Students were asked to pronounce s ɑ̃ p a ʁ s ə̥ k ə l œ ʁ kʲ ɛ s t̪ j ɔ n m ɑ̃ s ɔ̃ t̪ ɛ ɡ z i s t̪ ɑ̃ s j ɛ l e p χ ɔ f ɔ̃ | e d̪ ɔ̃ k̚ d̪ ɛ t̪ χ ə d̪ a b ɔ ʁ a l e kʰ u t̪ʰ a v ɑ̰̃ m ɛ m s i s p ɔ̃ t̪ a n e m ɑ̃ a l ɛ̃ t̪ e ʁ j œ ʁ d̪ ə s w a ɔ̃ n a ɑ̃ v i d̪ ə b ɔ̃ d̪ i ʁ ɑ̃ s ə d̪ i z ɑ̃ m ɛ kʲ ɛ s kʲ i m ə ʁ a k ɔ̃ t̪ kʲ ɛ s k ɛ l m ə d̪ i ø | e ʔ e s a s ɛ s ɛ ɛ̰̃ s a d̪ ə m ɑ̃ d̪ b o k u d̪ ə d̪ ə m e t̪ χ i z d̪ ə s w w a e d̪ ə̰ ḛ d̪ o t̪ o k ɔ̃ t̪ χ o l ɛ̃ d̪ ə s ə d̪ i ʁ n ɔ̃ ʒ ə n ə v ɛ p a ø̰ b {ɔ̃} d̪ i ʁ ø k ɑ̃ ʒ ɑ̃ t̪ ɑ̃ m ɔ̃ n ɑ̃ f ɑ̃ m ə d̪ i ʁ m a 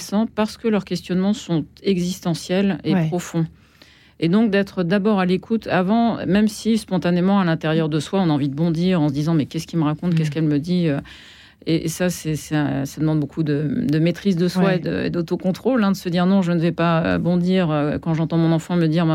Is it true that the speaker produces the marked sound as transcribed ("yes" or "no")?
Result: yes